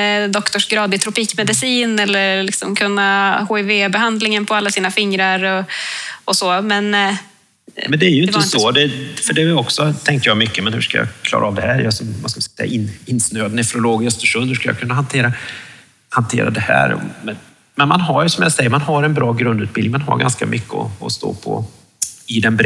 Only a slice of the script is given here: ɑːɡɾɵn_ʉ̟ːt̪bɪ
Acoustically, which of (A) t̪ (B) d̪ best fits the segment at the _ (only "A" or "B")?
B